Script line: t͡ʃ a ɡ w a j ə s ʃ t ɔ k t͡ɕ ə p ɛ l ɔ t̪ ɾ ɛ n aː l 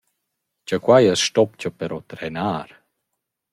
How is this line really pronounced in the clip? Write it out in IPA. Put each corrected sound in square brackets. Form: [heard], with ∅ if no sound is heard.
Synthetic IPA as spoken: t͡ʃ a [k] w a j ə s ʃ t ɔ [p] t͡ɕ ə p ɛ [ɾ] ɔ t̪ ɾ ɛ n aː [ɾ]